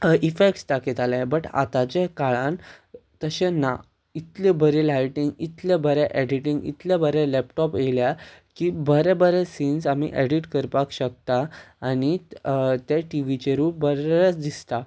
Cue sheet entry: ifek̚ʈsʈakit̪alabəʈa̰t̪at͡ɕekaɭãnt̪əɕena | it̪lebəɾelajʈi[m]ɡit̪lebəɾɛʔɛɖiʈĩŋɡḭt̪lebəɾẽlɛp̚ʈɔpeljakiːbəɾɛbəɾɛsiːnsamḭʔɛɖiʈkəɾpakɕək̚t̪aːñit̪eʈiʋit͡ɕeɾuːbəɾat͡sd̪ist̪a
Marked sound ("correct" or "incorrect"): incorrect